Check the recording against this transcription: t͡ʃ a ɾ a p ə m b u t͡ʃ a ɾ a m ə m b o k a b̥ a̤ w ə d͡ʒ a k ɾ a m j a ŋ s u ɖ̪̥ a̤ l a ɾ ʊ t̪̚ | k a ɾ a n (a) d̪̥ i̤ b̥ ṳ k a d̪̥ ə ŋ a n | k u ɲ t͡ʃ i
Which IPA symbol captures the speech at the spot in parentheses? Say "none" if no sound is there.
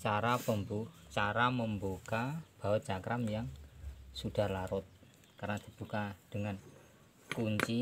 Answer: a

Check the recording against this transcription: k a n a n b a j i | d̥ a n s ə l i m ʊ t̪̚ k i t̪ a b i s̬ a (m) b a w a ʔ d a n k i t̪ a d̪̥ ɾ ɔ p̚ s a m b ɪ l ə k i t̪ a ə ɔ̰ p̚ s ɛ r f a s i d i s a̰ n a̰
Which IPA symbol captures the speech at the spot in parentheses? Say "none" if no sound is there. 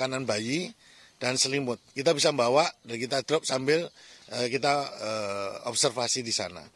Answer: m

